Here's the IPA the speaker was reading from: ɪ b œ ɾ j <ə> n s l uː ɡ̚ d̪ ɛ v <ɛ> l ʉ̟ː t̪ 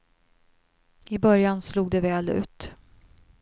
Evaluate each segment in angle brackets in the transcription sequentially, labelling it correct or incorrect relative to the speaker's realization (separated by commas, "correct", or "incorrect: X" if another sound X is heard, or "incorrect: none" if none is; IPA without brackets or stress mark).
incorrect: a, incorrect: ɛː